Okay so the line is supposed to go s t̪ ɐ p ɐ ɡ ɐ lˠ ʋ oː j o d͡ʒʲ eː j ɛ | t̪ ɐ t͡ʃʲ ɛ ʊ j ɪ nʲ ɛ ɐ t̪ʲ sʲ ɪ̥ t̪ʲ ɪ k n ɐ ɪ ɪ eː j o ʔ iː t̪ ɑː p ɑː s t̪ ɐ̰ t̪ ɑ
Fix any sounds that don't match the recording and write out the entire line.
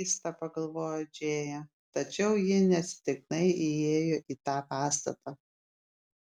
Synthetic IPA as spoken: s t̪ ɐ p ɐ ɡ ɐ lˠ ʋ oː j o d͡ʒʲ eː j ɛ | t̪ ɐ t͡ʃʲ ɛ ʊ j ɪ nʲ ɛ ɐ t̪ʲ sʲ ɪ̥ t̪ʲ ɪ k n ɐ ɪ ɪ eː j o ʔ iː t̪ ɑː p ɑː s t̪ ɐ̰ t̪ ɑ

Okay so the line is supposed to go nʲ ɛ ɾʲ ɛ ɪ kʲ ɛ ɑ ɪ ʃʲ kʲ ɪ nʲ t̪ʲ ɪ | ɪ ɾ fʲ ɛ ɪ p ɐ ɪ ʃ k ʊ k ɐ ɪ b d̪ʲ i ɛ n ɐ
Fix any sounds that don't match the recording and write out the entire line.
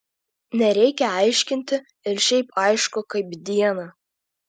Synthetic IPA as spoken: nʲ ɛ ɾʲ ɛ ɪ kʲ ɛ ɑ ɪ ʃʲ kʲ ɪ nʲ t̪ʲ ɪ | ɪ ɾ ʃʲ ɛ ɪ p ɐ ɪ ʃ k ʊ k ɐ ɪ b d̪ʲ i ɛ n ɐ

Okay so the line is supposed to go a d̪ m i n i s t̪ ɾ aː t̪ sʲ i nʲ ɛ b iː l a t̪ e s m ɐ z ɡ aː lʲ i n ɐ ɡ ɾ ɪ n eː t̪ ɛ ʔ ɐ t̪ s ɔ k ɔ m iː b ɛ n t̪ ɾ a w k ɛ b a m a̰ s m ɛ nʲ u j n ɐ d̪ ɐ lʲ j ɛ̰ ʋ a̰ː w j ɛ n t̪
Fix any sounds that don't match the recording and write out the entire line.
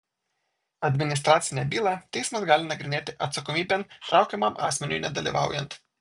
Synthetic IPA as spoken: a d̪ m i n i s t̪ ɾ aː t̪ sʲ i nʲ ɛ b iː l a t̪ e s m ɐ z ɡ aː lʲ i n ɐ ɡ ɾ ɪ n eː t̪ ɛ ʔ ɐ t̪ s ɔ k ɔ m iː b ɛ n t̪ ɾ a w k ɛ m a m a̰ s m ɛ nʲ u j n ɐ d̪ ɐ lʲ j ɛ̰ ʋ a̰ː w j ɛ n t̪

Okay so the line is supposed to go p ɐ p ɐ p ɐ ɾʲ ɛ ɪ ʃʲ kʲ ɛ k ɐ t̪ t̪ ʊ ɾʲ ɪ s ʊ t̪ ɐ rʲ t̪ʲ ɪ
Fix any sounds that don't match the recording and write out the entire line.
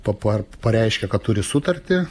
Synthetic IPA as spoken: p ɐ p ɐ p ɐ ɾʲ ɛ ɪ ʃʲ kʲ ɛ k ɐ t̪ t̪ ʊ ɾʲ ɪ s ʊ t̪ ɐ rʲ t̪ʲ ɪ

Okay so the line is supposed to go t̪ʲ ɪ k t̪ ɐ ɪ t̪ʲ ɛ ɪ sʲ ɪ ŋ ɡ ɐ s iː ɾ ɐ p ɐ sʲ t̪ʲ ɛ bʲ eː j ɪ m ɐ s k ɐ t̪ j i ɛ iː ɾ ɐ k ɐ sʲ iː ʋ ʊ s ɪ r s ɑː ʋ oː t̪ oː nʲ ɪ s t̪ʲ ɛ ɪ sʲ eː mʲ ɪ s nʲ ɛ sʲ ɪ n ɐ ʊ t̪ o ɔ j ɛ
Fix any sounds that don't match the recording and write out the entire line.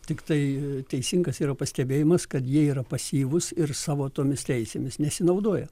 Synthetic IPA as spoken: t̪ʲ ɪ k t̪ ɐ ɪ t̪ʲ ɛ ɪ sʲ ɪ ŋ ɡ ɐ s iː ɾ ɐ p ɐ sʲ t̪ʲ ɛ bʲ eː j ɪ m ɐ s k ɐ t̪ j i ɛ iː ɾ ɐ p ɐ sʲ iː ʋ ʊ s ɪ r s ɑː ʋ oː t̪ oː mʲ ɪ s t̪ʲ ɛ ɪ sʲ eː mʲ ɪ s nʲ ɛ sʲ ɪ n ɐ ʊ d̪ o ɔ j ɛ

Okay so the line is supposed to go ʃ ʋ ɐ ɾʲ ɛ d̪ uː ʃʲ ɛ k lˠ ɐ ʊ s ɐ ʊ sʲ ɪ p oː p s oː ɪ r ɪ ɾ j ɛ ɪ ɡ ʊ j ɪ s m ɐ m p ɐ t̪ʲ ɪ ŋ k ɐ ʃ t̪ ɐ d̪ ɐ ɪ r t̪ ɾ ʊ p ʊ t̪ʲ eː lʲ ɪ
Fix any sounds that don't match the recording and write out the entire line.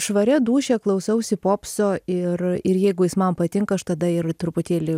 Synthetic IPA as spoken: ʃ ʋ ɐ ɾʲ ɛ d̪ uː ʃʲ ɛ k lˠ ɐ ʊ s ɐ ʊ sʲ ɪ p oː p s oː ɪ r ɪ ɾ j ɛ ɪ ɡ ʊ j ɪ s m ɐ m p ɐ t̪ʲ ɪ ŋ k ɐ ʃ t̪ ɐ d̪ ɐ ɪ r t̪ ɾ ʊ p ʊ t̪ʲ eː lʲ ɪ

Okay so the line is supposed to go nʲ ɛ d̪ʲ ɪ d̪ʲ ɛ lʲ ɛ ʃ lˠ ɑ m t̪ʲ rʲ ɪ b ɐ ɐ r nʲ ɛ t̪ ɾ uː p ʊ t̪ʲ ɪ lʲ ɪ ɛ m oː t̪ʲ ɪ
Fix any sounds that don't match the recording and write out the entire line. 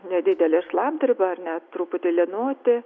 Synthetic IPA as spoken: nʲ ɛ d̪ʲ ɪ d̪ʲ ɛ lʲ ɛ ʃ lˠ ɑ m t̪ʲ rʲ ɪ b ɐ ɐ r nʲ ɛ t̪ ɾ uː p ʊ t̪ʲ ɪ lʲ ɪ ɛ n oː t̪ʲ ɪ

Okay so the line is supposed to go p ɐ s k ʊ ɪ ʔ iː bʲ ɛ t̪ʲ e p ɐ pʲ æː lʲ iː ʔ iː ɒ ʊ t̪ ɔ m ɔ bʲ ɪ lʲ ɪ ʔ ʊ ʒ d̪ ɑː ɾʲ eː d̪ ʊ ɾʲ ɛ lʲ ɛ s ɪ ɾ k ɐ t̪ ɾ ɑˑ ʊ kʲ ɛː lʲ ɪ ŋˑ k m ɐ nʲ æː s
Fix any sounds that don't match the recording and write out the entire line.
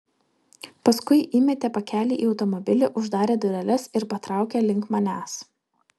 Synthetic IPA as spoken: p ɐ s k ʊ ɪ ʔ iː mʲ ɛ t̪ʲ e p ɐ kʲ æː lʲ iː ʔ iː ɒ ʊ t̪ ɔ m ɔ bʲ ɪ lʲ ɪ ʔ ʊ ʒ d̪ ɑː ɾʲ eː d̪ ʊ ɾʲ ɛ lʲ ɛ s ɪ ɾ p ɐ t̪ ɾ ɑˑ ʊ kʲ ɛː lʲ ɪ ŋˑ k m ɐ nʲ æː s

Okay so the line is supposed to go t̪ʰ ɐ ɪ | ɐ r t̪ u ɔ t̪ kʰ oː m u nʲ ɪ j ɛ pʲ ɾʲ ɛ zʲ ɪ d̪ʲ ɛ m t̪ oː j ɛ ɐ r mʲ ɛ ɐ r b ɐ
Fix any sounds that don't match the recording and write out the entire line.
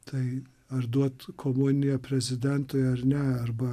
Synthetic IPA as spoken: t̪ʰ ɐ ɪ | ɐ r d̪ u ɔ t̪ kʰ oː m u nʲ ɪ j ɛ pʲ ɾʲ ɛ zʲ ɪ d̪ʲ ɛ n t̪ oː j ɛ ɐ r nʲ ɛ ɐ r b ɐ

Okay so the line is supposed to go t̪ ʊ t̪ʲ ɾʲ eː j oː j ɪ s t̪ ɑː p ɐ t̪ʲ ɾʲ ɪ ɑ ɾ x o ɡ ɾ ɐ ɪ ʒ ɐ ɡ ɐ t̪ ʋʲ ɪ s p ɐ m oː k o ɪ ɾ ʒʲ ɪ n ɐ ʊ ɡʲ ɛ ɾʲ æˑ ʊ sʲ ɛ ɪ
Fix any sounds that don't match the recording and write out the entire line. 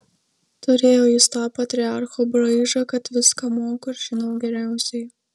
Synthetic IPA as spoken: t̪ ʊ ɾʲ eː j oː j ɪ s t̪ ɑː p ɐ t̪ʲ ɾʲ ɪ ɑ ɾ x o b ɾ ɐ ɪ ʒ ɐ k ɐ t̪ ʋʲ ɪ s k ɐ m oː k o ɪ ɾ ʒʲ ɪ n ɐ ʊ ɡʲ ɛ ɾʲ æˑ ʊ sʲ ɛ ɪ

